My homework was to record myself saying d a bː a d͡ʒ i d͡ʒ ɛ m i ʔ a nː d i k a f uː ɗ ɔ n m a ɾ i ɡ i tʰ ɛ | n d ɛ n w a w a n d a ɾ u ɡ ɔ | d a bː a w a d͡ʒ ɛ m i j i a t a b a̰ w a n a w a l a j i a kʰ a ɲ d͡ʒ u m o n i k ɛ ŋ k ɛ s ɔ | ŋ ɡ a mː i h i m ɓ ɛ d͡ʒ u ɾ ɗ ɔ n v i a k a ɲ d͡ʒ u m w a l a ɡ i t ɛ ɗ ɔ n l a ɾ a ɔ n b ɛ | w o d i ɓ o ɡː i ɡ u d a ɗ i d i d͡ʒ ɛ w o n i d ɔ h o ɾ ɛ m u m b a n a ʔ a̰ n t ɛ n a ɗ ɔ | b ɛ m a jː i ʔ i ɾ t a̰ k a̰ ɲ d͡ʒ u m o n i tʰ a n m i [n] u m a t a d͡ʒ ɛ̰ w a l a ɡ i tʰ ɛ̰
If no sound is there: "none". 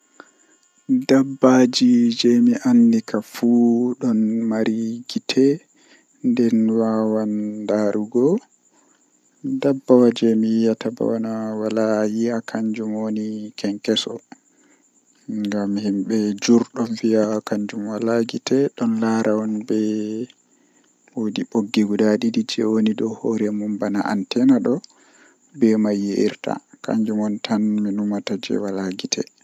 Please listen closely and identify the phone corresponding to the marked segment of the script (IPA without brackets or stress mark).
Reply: n